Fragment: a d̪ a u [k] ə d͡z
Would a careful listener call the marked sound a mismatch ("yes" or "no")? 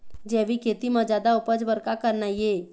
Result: yes